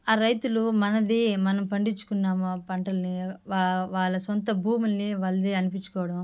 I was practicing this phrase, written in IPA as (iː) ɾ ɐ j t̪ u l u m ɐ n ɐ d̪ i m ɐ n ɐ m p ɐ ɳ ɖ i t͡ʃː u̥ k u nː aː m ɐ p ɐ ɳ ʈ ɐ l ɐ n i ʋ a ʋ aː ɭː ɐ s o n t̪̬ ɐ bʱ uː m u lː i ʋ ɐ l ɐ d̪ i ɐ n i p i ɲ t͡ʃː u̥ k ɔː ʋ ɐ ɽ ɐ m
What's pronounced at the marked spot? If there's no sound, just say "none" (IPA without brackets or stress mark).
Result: aː